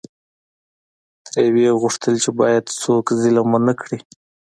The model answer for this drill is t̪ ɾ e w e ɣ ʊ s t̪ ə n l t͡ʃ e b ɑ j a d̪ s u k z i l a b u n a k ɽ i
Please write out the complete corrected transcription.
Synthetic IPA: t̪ ɾ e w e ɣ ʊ ʂ t̪ ə l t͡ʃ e b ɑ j a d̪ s o k z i l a m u n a k ɽ i